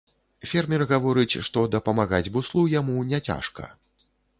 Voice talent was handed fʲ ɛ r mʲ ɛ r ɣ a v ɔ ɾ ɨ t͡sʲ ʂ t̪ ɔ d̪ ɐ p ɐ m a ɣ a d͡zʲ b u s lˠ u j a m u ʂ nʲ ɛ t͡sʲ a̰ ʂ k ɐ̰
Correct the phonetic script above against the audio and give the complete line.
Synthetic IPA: fʲ ɛ r mʲ ɛ r ɣ a v ɔ ɾ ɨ t͡sʲ ʂ t̪ ɔ d̪ ɐ p ɐ m a ɣ a d͡zʲ b u s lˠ u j a m u nʲ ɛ t͡sʲ a̰ ʂ k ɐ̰